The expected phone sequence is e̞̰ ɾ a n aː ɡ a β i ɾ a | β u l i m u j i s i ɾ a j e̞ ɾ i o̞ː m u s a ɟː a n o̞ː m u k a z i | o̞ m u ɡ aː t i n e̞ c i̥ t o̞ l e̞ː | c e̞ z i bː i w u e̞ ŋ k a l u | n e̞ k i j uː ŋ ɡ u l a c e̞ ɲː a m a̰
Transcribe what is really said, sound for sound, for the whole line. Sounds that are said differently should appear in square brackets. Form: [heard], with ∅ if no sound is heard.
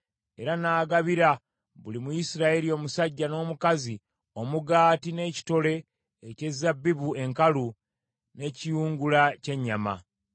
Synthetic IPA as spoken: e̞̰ ɾ a n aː ɡ a β i ɾ a | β u l i m u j i s i ɾ a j e̞ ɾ i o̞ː m u s a ɟː a n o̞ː m u k a z i | o̞ m u ɡ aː t i n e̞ c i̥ t o̞ l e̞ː | c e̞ z [a] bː i [β] u e̞ ŋ k a l u | n e̞ [c] i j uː ŋ ɡ u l a c e̞ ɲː a m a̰